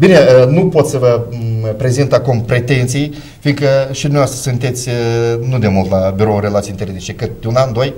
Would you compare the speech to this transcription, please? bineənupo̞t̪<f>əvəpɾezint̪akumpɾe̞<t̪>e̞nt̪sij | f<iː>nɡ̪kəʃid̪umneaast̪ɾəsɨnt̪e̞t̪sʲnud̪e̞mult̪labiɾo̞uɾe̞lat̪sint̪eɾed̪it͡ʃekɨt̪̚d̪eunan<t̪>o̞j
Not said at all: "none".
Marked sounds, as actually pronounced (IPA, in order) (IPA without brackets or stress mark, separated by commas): s, t̪, i, d̪